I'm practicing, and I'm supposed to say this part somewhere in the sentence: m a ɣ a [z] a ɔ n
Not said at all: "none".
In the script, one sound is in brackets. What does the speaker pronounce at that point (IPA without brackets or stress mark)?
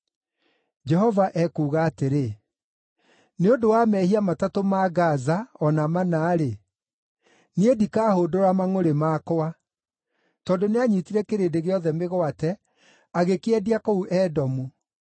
z